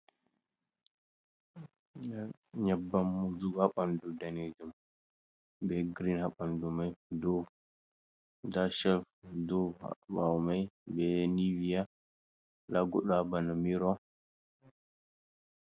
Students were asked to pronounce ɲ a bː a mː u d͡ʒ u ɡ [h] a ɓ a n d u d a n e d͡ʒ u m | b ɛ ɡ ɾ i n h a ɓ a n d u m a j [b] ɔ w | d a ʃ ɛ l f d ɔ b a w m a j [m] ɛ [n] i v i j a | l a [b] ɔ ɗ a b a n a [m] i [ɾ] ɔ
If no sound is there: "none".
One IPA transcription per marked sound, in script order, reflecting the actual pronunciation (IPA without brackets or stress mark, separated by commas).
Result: h, d, b, n, ɡ, m, ɾ